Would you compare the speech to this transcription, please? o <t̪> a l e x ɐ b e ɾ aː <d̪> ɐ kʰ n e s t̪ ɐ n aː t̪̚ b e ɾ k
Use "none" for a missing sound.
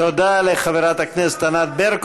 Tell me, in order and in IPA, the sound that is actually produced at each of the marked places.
d̪, t̪

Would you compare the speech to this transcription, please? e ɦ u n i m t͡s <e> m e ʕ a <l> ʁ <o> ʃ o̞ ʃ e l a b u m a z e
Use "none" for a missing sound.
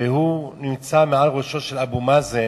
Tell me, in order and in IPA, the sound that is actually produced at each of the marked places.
a, l, o

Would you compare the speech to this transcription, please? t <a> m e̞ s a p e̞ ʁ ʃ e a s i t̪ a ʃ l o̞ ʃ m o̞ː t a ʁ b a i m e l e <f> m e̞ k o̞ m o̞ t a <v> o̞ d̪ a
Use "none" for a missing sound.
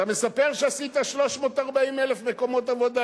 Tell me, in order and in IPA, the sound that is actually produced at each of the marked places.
a, f, v

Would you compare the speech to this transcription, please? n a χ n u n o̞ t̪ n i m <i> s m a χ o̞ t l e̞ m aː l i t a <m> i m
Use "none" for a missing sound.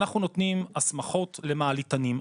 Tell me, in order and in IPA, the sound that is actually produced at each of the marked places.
a, n

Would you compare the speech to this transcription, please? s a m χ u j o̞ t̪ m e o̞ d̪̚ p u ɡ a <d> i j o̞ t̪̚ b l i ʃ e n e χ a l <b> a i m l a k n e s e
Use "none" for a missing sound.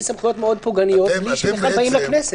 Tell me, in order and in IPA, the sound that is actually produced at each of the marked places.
n, b

